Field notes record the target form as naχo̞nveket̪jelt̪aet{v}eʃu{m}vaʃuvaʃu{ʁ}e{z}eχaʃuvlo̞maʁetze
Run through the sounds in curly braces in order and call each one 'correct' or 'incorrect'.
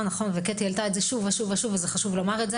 incorrect: z, incorrect: none, incorrect: v, correct

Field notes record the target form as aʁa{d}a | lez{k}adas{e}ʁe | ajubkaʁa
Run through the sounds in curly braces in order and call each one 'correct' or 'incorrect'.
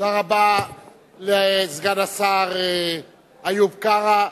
incorrect: b, incorrect: ɡ, incorrect: a

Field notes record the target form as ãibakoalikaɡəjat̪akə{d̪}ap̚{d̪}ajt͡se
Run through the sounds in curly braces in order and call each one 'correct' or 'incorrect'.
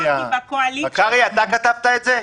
incorrect: t̪, incorrect: t̪

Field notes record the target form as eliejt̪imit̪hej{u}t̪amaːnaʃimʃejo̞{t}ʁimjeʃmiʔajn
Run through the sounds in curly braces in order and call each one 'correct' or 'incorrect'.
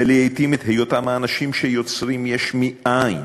incorrect: o, incorrect: t͡s

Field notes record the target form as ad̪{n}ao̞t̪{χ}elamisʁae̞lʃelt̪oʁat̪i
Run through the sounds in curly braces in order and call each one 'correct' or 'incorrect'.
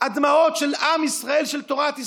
incorrect: m, incorrect: ʃ

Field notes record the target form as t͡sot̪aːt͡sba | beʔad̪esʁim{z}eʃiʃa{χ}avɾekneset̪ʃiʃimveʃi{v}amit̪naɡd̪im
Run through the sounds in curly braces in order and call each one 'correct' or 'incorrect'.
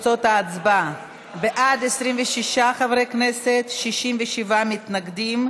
incorrect: v, correct, correct

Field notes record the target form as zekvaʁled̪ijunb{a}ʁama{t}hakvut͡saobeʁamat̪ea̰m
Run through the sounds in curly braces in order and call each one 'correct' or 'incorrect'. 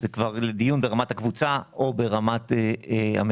incorrect: e, correct

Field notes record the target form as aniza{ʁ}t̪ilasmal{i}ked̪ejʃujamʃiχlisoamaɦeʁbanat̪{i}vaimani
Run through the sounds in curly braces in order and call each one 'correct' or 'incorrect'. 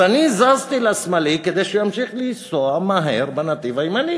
incorrect: z, correct, correct

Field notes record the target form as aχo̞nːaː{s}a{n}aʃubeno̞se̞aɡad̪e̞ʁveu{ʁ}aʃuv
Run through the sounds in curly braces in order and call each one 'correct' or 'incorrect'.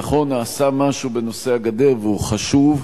correct, incorrect: m, incorrect: χ

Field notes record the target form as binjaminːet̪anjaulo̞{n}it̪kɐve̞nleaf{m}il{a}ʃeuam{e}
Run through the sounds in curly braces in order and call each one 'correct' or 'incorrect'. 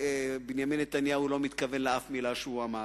incorrect: m, correct, correct, incorrect: a

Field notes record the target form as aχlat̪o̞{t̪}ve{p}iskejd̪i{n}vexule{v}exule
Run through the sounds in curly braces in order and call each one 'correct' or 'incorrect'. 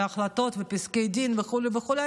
correct, correct, correct, correct

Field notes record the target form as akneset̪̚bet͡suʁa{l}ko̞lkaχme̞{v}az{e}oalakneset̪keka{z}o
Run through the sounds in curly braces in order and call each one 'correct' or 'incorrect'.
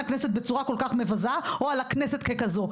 incorrect: none, correct, incorrect: a, correct

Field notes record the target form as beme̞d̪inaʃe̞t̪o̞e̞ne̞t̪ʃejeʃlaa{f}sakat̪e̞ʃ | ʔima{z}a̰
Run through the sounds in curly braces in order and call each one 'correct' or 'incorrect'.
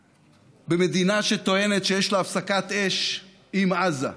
correct, correct

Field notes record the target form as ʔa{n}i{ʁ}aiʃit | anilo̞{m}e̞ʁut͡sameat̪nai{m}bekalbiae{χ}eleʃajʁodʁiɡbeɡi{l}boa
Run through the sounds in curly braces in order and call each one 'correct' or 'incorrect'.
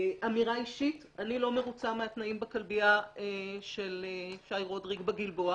incorrect: m, correct, correct, correct, incorrect: ʃ, correct

